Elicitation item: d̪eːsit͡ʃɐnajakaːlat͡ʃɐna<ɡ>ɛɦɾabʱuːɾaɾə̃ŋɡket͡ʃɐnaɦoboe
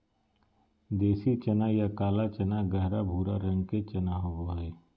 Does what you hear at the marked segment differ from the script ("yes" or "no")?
no